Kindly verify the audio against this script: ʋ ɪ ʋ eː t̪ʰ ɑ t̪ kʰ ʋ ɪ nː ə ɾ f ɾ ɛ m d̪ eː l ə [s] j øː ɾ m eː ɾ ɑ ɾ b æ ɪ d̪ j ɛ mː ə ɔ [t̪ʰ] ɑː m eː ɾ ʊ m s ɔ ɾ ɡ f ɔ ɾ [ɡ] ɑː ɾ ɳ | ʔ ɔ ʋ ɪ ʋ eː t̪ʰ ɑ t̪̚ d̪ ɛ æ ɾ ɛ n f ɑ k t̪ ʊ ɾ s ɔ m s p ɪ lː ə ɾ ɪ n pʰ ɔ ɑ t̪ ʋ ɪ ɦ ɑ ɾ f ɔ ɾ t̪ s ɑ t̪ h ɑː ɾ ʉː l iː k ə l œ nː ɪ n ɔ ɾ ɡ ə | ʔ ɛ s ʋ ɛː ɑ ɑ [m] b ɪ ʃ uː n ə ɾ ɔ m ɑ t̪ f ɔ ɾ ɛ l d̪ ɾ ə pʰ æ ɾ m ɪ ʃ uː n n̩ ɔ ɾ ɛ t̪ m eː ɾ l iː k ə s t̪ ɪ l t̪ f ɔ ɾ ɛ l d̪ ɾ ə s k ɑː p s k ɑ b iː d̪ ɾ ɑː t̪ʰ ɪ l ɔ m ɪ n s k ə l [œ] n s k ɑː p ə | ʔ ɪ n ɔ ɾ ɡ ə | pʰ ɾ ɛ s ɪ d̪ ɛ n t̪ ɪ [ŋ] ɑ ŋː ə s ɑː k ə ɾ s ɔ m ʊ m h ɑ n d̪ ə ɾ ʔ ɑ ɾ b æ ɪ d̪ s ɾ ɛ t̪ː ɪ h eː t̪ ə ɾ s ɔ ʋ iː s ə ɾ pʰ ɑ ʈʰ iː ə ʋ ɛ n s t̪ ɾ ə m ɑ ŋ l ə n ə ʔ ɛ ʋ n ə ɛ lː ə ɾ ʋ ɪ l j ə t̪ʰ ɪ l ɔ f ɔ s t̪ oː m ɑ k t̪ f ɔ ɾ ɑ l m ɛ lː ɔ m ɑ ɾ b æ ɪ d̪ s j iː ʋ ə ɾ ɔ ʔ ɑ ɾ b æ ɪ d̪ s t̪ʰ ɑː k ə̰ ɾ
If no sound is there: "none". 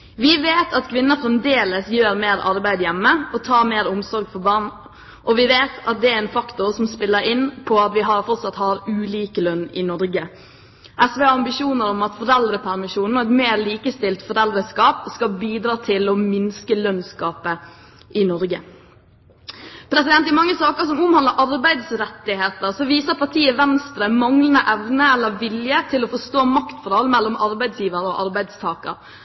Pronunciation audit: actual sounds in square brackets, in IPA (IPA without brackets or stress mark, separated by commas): s, t̪ʰ, b, m, œ, m